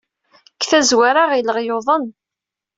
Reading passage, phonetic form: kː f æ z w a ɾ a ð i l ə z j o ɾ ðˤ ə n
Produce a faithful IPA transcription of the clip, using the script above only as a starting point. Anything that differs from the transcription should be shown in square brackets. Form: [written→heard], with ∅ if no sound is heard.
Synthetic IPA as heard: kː [f→θ] æ z w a ɾ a [ð→ʁ] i l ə [z→ʁ] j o [ɾ→∅] ðˤ ə n